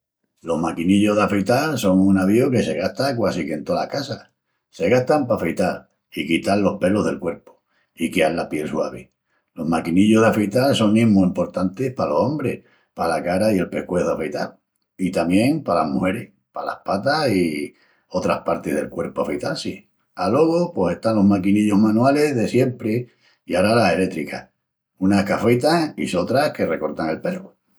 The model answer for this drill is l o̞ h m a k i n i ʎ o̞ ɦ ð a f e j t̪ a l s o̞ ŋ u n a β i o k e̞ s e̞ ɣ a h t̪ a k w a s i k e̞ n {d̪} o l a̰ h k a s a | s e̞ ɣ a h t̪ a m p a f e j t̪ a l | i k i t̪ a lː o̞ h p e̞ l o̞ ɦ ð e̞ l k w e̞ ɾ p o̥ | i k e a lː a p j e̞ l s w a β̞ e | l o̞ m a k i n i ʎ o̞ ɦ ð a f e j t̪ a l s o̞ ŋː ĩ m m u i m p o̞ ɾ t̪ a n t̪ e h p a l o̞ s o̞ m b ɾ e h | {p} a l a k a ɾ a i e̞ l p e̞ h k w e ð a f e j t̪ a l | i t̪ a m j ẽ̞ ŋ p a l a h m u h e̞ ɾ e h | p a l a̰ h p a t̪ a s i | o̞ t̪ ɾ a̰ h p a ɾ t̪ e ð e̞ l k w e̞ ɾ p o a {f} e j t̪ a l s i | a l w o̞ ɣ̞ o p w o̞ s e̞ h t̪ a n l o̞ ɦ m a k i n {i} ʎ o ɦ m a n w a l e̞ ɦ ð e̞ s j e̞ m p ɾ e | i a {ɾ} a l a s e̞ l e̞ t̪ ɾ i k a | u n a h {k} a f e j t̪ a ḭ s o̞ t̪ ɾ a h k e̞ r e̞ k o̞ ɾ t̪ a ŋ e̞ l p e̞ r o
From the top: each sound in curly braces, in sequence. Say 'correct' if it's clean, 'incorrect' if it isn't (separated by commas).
incorrect, correct, correct, correct, correct, correct